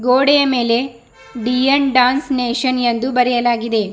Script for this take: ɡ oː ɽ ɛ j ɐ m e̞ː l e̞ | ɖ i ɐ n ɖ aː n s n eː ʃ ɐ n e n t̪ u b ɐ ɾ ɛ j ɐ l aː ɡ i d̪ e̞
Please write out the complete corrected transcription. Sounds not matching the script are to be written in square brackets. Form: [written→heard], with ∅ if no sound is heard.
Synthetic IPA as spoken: ɡ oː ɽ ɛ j ɐ m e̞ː l e̞ | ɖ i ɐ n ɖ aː n s n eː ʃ ɐ n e n [t̪→d̪] u b ɐ ɾ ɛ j ɐ l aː ɡ i d̪ e̞